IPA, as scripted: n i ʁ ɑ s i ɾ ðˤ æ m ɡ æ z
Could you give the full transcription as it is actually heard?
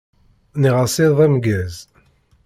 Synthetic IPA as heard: n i ʁ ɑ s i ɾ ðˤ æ m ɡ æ z